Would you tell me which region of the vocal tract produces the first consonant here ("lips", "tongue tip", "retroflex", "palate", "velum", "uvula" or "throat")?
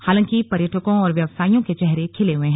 throat